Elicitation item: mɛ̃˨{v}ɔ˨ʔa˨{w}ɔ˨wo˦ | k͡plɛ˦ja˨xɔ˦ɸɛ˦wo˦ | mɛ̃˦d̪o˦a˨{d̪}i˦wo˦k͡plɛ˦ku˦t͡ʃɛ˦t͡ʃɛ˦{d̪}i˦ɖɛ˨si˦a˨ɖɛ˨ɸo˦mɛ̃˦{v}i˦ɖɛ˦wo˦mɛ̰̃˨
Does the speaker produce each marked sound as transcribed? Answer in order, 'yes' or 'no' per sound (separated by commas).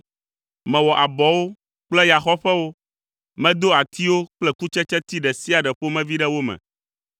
no, no, no, no, yes